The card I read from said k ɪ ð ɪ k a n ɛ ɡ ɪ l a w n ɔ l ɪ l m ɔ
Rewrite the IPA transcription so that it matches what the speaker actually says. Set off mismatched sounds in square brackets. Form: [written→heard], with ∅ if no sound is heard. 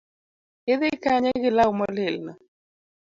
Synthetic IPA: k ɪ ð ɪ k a [n→ɲ] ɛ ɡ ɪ l a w [n→m] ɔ l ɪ l [m→n] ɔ